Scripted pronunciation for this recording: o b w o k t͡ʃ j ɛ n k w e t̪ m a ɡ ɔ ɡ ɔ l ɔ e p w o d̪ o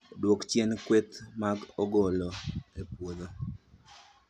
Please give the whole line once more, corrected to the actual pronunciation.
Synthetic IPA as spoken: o d w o k t͡ʃ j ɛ n k w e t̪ m a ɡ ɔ ɡ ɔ l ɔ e p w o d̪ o